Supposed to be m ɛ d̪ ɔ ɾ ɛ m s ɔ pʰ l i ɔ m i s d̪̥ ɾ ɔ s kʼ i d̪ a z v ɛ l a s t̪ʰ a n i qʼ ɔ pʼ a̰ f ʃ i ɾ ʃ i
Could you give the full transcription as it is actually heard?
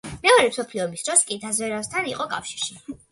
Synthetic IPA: m ɛ ɔ ɾ ɛ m s ɔ pʰ l i ɔ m i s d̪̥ ɾ ɔ s kʼ i d̪ a z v ɛ ɾ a s t̪ʰ a n i qʼ ɔ kʼ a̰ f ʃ i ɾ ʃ i